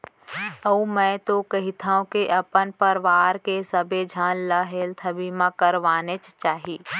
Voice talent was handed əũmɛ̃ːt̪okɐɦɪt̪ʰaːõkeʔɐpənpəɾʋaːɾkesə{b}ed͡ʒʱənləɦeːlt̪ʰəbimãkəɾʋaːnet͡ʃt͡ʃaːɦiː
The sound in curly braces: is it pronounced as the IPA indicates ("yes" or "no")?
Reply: yes